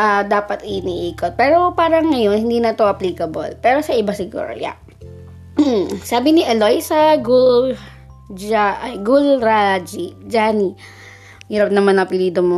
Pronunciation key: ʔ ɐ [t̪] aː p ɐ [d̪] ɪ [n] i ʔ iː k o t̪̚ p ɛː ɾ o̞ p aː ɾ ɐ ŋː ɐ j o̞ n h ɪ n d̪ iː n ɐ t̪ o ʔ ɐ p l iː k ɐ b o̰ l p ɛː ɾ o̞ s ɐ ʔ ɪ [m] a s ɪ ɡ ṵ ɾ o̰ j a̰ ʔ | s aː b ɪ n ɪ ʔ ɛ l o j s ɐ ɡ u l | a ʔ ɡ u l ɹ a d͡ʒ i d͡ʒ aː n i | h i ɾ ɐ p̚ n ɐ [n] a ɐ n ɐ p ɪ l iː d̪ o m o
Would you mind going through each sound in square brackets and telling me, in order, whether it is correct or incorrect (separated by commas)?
incorrect, incorrect, correct, incorrect, incorrect